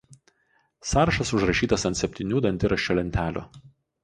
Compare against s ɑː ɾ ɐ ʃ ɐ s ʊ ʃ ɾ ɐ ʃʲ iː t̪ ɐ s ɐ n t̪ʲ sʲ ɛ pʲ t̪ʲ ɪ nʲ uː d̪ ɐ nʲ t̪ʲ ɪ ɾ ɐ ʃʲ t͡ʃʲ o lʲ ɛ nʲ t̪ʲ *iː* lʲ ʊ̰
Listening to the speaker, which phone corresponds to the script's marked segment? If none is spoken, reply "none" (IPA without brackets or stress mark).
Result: æː